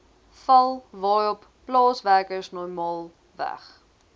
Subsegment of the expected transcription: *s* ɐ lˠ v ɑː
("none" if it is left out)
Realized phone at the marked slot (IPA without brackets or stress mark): f